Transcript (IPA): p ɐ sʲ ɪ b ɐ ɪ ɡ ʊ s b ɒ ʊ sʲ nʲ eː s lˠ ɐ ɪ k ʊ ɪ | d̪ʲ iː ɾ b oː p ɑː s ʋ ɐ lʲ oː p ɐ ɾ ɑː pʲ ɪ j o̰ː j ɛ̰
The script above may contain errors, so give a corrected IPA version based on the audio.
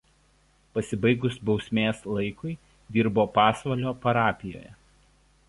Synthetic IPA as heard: p ɐ sʲ ɪ b ɐ ɪ ɡ ʊ s b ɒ ʊ sʲ mʲ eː s lˠ ɐ ɪ k ʊ ɪ | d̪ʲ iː ɾ b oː p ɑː s ʋ ɐ lʲ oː p ɐ ɾ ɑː pʲ ɪ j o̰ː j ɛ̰